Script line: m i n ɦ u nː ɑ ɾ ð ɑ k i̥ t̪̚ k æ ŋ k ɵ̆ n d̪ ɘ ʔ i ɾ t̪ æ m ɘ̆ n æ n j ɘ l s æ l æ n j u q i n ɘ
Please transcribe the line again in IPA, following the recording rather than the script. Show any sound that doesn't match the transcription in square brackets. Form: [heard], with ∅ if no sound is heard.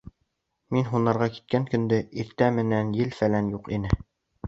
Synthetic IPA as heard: m i n ɦ u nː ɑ ɾ [ʁ] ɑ k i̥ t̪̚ k æ ŋ k ɵ̆ n d̪ ɘ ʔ i ɾ t̪ æ m ɘ̆ n æ n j ɘ l [f] æ l æ n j u q i n ɘ